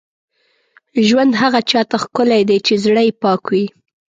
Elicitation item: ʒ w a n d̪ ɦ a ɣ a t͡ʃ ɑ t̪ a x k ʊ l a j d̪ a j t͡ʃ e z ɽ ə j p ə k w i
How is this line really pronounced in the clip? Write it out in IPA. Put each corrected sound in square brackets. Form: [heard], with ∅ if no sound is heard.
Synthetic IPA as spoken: ʒ w a n d̪ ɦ a ɣ a t͡ʃ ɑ t̪ a x k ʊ l a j d̪ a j t͡ʃ e z ɽ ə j p [ɑ] k w i